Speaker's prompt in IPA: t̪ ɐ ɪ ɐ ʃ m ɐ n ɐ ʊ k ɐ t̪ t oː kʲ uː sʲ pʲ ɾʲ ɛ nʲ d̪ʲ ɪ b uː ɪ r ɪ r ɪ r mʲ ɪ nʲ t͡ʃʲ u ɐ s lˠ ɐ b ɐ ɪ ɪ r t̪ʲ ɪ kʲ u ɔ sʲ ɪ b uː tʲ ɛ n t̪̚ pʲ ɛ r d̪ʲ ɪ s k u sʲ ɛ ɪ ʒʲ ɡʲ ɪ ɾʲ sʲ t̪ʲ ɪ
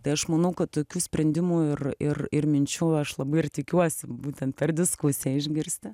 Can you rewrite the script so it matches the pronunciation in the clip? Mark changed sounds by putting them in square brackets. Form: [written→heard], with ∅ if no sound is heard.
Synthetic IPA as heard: t̪ ɐ ɪ ɐ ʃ m ɐ n ɐ ʊ k ɐ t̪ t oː kʲ uː sʲ pʲ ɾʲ ɛ nʲ d̪ʲ ɪ [b→m] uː ɪ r ɪ r ɪ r mʲ ɪ nʲ t͡ʃʲ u ɐ [s→ʃ] lˠ ɐ b ɐ ɪ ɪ r t̪ʲ ɪ kʲ u ɔ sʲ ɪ b uː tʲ ɛ n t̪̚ pʲ ɛ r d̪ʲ ɪ s k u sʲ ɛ ɪ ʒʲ ɡʲ ɪ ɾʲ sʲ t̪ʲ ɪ